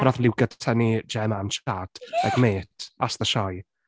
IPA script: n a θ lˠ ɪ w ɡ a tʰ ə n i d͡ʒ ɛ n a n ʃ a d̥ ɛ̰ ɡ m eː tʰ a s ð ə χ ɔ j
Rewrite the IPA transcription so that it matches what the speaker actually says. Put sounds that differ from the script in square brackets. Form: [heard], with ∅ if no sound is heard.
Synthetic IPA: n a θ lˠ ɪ w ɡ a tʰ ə n i d͡ʒ ɛ [m] a n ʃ a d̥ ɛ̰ ɡ m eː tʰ a s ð ə [ʃ] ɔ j